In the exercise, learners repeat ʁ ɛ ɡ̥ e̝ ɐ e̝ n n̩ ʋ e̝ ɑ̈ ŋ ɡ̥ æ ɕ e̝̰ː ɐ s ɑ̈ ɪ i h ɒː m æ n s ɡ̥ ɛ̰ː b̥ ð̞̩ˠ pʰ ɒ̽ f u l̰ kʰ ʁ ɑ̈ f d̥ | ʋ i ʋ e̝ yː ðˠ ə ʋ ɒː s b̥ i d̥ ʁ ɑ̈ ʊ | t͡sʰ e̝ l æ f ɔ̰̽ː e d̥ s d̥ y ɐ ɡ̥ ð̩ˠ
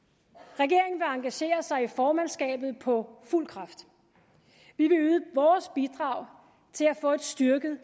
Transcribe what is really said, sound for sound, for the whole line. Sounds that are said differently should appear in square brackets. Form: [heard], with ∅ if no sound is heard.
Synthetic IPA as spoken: ʁ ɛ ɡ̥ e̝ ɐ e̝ [ŋ] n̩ ʋ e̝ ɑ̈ ŋ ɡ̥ æ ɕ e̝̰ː ɐ s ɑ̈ ɪ i [f] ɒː m æ n s ɡ̥ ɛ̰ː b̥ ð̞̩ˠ pʰ ɒ̽ f u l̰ kʰ ʁ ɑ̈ f d̥ | ʋ i ʋ e̝ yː ðˠ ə ʋ ɒː s b̥ i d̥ ʁ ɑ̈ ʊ | t͡sʰ e̝ l æ f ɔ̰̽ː e d̥ s d̥ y ɐ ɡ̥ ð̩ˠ

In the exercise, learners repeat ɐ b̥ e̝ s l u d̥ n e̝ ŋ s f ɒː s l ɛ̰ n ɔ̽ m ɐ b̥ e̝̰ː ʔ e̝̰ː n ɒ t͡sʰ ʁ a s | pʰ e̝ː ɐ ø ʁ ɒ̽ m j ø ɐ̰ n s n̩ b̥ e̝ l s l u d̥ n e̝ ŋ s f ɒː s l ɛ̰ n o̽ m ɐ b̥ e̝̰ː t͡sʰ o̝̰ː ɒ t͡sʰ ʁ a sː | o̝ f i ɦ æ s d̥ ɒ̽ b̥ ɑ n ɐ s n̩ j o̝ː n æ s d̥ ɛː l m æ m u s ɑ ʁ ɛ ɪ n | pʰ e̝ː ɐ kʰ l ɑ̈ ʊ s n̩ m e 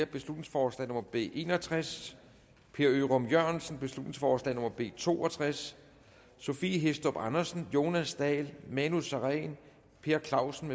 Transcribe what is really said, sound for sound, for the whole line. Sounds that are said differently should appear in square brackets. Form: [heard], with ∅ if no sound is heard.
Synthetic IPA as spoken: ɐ b̥ e̝ s l u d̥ n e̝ ŋ s f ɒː s l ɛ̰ n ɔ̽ m ɐ b̥ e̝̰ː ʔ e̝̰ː n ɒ t͡sʰ ʁ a s | pʰ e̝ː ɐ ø ʁ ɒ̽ m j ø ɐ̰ n s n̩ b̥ e̝ [∅] s l u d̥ n e̝ ŋ s f ɒː s l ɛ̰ n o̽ m ɐ b̥ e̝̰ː t͡sʰ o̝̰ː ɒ t͡sʰ ʁ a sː | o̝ f i ɦ [e] s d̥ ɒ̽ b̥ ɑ n ɐ s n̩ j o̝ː n æ s d̥ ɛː l m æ [n] u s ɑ ʁ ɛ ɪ n | pʰ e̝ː ɐ kʰ l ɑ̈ ʊ s n̩ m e

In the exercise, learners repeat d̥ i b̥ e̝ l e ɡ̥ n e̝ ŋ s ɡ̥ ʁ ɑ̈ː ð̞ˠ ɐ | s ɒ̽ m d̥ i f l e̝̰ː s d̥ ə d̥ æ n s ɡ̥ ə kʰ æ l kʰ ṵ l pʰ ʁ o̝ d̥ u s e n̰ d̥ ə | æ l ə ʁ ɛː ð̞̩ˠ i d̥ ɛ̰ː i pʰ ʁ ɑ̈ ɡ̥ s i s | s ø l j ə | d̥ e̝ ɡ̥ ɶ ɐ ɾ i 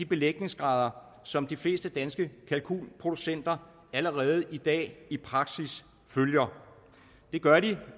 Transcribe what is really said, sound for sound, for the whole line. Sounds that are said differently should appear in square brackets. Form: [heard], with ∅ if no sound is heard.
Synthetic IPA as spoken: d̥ i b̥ e̝ l e ɡ̥ n e̝ ŋ s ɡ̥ ʁ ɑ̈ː ð̞ˠ ɐ | s ɒ̽ m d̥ i f l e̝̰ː s d̥ ə d̥ æ n s ɡ̥ ə kʰ æ l kʰ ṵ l pʰ ʁ o̝ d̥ u s e n̰ d̥ [ɐ] | æ l ə ʁ ɛː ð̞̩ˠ i d̥ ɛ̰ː i pʰ ʁ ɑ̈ ɡ̥ s i s | [f] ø l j [ɐ] | d̥ e̝ ɡ̥ ɶ ɐ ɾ i

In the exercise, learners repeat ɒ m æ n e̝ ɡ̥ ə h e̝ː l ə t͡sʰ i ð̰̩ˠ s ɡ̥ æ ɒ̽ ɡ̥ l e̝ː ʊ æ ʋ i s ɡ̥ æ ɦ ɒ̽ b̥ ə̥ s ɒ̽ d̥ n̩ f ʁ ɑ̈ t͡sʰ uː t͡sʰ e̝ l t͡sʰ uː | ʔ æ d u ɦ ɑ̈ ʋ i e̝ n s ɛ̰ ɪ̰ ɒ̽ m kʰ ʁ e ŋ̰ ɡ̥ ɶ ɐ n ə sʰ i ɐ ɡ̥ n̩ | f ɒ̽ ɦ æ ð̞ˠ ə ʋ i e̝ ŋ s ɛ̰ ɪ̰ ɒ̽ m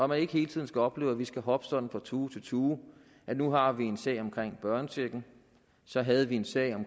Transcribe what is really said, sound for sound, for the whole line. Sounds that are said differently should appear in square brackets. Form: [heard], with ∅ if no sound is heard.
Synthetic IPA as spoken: ɒ m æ n e̝ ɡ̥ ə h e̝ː l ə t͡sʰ i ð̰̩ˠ s ɡ̥ æ ɒ̽ [b̥] l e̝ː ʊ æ ʋ i s ɡ̥ æ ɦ ɒ̽ b̥ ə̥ s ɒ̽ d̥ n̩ f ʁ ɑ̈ t͡sʰ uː t͡sʰ e̝ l t͡sʰ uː | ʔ æ [n] u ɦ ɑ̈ ʋ i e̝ n s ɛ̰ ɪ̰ ɒ̽ m kʰ ʁ e ŋ̰ [b̥] ɶ ɐ n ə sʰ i ɐ ɡ̥ n̩ | [s] ɒ̽ ɦ æ ð̞ˠ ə ʋ i e̝ [n] s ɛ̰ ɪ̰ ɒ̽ m

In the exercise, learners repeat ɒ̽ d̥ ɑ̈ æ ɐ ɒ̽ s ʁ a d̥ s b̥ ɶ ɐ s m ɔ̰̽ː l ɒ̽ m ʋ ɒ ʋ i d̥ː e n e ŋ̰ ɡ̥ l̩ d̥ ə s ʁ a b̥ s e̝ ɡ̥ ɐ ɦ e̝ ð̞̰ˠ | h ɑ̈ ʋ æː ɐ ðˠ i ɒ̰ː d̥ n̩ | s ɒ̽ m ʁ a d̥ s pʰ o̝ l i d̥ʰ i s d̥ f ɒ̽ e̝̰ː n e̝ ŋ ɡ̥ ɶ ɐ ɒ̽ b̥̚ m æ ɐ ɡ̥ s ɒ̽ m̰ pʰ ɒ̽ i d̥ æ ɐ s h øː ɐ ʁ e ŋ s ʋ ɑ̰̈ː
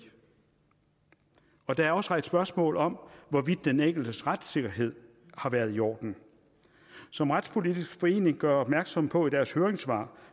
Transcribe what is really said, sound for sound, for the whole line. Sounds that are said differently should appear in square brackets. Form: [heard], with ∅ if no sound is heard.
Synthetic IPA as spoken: ɒ̽ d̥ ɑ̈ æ ɐ ɒ̽ s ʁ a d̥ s b̥ ɶ ɐ s m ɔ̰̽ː l ɒ̽ m ʋ ɒ ʋ i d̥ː e n e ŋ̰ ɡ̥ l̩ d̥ ə s ʁ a [d̥] s e̝ ɡ̥ ɐ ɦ e̝ ð̞̰ˠ | h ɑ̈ ʋ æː ɐ ðˠ i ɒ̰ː d̥ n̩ | s ɒ̽ m ʁ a d̥ s pʰ o̝ l i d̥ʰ i s [ɡ̥] f ɒ̽ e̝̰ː n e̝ ŋ ɡ̥ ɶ ɐ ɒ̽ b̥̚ m æ ɐ ɡ̥ s ɒ̽ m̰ pʰ ɒ̽ i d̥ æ ɐ s h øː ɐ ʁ e ŋ s ʋ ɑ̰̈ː

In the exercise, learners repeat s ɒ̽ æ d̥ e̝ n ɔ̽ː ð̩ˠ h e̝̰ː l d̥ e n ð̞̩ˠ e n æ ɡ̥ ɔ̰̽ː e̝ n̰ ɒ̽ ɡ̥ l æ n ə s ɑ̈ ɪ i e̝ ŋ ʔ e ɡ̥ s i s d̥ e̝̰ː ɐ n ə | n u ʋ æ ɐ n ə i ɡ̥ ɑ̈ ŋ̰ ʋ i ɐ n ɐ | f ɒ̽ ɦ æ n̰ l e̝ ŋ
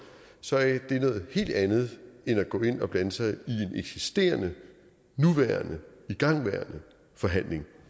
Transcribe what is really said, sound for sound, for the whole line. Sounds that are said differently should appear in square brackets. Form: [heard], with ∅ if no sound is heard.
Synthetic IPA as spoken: s ɒ̽ æ d̥ e̝ n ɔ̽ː ð̩ˠ h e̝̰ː l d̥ [æ] n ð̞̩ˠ e n æ ɡ̥ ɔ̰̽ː e̝ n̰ ɒ̽ [b̥] l æ n ə s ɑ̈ ɪ i e̝ [n] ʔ e ɡ̥ s i s d̥ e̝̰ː ɐ n ə | n u ʋ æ ɐ n ə i ɡ̥ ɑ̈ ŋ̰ ʋ [æ] ɐ n [ə] | f ɒ̽ ɦ æ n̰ l e̝ ŋ

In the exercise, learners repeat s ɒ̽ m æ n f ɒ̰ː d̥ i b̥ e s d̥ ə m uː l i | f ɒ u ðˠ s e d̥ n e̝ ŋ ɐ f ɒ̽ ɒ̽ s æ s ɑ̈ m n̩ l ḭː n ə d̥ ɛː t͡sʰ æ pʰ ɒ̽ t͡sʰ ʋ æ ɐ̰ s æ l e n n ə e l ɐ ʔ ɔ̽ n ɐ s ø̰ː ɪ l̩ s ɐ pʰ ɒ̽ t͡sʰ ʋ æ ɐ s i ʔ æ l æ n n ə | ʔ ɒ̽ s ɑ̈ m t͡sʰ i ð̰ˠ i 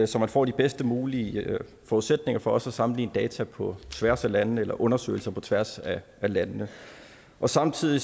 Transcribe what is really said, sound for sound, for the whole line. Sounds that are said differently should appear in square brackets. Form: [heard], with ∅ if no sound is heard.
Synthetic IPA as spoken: s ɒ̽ m æ n f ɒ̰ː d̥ i b̥ e s d̥ ə m uː l i | f ɒ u ðˠ s e d̥ n e̝ ŋ ɐ f ɒ̽ ɒ̽ s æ s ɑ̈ m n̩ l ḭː n ə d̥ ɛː t͡sʰ æ pʰ ɒ̽ t͡sʰ ʋ æ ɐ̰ s æ l [æ] n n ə e l ɐ ʔ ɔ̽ n ɐ s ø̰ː ɪ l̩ s ɐ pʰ ɒ̽ t͡sʰ ʋ æ ɐ s [æ] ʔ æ l æ n n ə | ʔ ɒ̽ s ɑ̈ m t͡sʰ i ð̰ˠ i

